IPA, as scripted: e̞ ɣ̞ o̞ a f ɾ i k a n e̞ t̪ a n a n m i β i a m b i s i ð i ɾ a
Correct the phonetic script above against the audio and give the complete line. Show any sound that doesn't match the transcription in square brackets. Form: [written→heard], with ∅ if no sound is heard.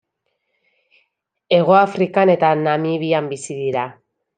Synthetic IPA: e̞ ɣ̞ o̞ a f ɾ i k a n e̞ t̪ a n a [n→∅] m i β i a m b i s i ð i ɾ a

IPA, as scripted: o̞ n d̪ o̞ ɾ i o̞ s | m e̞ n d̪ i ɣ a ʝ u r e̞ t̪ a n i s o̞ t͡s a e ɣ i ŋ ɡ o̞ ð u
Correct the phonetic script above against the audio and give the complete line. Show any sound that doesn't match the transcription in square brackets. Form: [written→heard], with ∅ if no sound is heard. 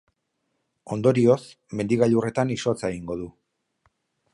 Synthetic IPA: o̞ n d̪ o̞ ɾ i o̞ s | m e̞ n d̪ i ɣ a [ʝ→ʎ] u r e̞ t̪ a n i s o̞ t͡s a e ɣ i ŋ ɡ o̞ ð u

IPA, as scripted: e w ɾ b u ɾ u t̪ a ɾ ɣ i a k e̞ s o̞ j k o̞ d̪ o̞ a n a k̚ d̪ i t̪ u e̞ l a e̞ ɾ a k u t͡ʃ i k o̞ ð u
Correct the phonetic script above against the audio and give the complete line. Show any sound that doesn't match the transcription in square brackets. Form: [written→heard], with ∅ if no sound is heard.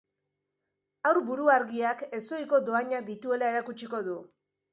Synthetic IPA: [e→a] w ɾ b u ɾ u [t̪→∅] a ɾ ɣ i a k e̞ s o̞ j k o̞ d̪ o̞ a [n→ɲ] a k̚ d̪ i t̪ u e̞ l a e̞ ɾ a k u t͡ʃ i k o̞ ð u

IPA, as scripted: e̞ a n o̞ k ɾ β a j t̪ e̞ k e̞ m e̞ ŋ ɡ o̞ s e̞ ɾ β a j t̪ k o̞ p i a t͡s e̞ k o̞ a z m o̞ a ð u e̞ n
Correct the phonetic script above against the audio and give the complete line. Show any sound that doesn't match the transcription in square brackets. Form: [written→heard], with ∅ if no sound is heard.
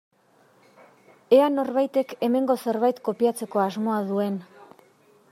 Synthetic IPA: e̞ a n o̞ [k→∅] ɾ β a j t̪ e̞ k e̞ m e̞ ŋ ɡ o̞ s e̞ ɾ β a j t̪ k o̞ p i a t͡s e̞ k o̞ a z m o̞ a ð u e̞ n

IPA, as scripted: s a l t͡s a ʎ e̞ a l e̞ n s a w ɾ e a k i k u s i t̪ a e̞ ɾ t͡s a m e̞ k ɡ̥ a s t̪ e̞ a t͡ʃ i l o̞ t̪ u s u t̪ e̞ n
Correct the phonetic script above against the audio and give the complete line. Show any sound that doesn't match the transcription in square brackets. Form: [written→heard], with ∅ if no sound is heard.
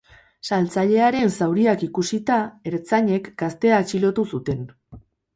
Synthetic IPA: s a l t͡s a ʎ e̞ a [l→ɾ] e̞ n s a w ɾ [e→i] a k i k u s i t̪ a e̞ ɾ t͡s a [m→ɲ] e̞ k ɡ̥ a s t̪ e̞ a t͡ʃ i l o̞ t̪ u s u t̪ e̞ n

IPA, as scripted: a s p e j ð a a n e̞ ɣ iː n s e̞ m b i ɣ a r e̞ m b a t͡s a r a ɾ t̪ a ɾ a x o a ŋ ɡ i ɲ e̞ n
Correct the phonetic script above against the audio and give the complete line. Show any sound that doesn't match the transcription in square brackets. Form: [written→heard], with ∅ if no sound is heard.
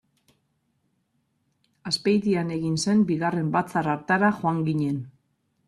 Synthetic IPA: a s p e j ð [a→i] a n e̞ ɣ [iː→i] n s e̞ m b i ɣ a r e̞ m b a t͡s a r a ɾ t̪ a ɾ a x o a ŋ ɡ i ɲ e̞ n

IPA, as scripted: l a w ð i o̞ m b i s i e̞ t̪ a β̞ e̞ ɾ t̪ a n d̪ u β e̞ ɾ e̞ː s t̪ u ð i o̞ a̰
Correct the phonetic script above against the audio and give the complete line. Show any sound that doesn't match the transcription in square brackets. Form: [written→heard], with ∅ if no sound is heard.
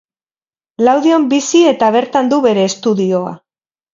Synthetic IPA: l a w ð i o̞ m b i s i e̞ t̪ a β̞ e̞ ɾ t̪ a n d̪ u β e̞ ɾ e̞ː s t̪ u ð i o̞ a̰

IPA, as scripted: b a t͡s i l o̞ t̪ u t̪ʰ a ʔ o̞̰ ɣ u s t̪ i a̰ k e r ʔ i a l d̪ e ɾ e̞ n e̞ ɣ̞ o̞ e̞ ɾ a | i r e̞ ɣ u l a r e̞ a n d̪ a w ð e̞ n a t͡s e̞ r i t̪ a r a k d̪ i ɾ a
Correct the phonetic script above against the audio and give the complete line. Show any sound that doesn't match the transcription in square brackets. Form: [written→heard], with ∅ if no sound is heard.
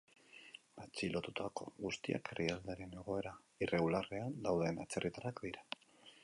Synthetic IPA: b a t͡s i l o̞ t̪ u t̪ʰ a [ʔ→k] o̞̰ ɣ u s t̪ i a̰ k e r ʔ i a l d̪ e ɾ e̞ n e̞ ɣ̞ o̞ e̞ ɾ a | i r e̞ ɣ u l a r e̞ a n d̪ a w ð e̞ n a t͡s e̞ r i t̪ a r a k d̪ i ɾ a

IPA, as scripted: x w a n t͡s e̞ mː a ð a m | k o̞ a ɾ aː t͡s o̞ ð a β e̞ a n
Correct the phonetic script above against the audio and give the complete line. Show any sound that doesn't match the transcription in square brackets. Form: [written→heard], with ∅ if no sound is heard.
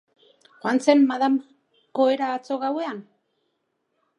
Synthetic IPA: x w a n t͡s e̞ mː a ð a m | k o̞ [a→e] ɾ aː t͡s o̞ [ð→ɣ] a [β→w] e̞ a n

